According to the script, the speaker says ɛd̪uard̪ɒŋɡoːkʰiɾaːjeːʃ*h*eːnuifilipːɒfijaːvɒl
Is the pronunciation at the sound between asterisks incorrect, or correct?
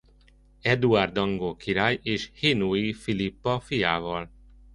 correct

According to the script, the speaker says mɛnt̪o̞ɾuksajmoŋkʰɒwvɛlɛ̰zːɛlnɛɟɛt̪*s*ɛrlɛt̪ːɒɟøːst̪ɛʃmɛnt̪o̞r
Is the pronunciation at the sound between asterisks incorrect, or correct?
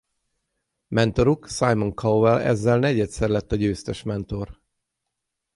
correct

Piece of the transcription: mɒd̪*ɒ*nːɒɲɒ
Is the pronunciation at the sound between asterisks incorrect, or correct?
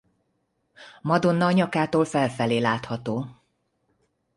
incorrect: o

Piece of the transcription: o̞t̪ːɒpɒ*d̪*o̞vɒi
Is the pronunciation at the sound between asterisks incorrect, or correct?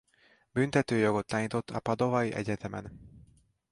correct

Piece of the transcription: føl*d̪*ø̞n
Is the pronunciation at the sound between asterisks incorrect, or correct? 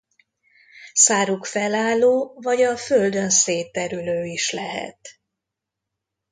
correct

